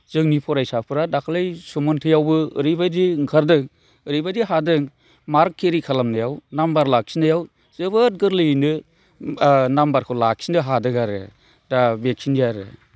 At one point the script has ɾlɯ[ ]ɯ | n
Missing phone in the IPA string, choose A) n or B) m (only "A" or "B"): A